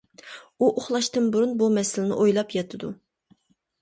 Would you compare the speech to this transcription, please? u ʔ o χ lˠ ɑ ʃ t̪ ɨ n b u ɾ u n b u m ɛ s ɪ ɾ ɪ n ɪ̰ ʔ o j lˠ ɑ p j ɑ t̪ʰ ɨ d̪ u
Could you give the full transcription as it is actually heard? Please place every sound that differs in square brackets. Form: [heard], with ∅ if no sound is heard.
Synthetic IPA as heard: u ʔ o χ lˠ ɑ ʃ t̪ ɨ n b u ɾ u n b u m ɛ s ɪ [l] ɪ n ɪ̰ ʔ o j lˠ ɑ p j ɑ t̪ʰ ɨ d̪ u